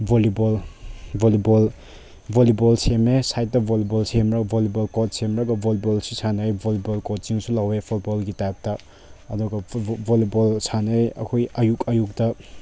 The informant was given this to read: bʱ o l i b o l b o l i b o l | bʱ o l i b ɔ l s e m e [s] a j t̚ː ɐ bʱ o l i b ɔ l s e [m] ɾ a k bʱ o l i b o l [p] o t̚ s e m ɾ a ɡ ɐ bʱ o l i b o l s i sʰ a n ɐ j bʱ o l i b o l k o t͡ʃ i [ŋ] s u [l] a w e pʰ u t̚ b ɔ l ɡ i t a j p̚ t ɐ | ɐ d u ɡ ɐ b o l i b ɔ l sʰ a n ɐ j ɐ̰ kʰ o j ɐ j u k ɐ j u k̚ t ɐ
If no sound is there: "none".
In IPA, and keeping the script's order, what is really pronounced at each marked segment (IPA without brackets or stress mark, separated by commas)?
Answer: s, m, k, ŋ, l